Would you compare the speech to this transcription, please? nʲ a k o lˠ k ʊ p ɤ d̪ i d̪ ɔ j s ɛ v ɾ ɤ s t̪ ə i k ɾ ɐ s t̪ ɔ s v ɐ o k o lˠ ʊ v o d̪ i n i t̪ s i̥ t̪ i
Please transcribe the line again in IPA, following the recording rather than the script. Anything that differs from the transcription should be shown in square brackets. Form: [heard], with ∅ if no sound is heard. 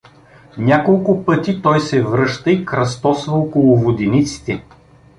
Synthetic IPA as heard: nʲ a k o lˠ k ʊ p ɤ [t̪] i [t̪] ɔ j s ɛ v ɾ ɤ [ʃ] t̪ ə i k ɾ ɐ s t̪ ɔ s v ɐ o k o lˠ ʊ v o d̪ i n i t̪ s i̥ t̪ [ɛ]